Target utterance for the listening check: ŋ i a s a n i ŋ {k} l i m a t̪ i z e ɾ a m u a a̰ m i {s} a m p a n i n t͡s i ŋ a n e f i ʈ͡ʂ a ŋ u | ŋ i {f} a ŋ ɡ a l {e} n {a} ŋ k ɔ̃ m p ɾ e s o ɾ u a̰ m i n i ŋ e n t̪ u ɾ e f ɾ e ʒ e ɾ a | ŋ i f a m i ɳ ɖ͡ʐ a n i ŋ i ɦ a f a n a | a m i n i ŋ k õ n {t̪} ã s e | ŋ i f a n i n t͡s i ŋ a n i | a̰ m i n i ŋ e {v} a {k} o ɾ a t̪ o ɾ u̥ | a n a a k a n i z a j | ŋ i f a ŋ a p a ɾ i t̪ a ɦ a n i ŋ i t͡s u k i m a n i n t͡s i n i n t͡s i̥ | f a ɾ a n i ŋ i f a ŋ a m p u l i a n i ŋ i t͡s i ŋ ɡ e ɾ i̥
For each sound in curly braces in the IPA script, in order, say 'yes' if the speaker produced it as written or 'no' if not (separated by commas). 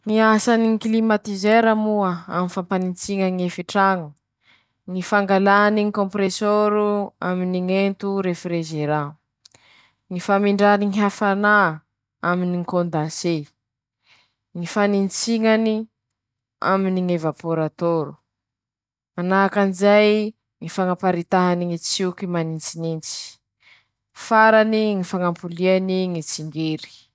yes, no, yes, no, no, no, yes, no